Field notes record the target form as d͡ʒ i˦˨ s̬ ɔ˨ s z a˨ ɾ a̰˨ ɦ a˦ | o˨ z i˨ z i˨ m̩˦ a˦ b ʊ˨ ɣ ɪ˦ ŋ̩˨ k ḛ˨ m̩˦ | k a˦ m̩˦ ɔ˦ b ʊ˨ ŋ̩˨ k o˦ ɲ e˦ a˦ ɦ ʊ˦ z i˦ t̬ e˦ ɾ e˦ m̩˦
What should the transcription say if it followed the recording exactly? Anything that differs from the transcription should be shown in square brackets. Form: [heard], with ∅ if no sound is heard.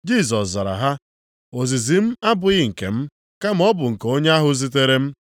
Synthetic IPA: d͡ʒ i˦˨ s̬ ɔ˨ s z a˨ ɾ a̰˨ ɦ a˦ | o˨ z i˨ z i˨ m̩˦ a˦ b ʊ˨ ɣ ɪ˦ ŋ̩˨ k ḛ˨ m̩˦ | k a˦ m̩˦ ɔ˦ b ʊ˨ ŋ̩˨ k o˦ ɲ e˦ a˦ ɦ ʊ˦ z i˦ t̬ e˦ ɾ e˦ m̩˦